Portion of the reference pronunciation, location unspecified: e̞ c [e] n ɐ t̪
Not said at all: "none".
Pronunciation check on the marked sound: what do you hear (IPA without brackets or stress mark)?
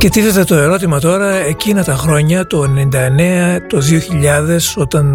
i